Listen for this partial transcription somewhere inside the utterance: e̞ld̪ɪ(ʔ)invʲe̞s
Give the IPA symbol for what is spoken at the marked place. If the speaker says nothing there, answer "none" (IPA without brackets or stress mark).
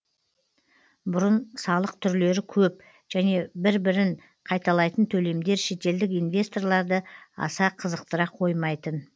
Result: k